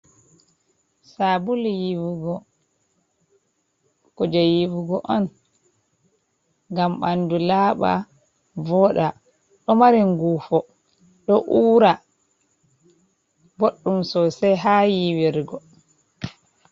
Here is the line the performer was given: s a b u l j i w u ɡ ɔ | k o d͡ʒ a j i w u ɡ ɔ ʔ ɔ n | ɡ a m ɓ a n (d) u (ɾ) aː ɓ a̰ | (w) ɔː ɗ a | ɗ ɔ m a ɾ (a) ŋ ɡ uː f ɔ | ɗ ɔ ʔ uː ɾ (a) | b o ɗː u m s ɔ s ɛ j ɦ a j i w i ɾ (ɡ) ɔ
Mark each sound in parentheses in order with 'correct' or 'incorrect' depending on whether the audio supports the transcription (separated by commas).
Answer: correct, incorrect, incorrect, incorrect, correct, correct